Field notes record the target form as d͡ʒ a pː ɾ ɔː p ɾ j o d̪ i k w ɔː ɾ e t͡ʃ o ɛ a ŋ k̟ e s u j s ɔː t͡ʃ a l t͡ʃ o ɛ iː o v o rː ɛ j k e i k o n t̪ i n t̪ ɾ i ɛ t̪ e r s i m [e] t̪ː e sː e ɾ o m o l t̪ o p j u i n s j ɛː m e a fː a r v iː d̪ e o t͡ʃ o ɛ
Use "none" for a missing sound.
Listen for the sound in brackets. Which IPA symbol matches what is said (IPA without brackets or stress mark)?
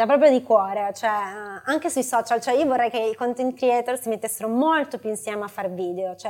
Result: e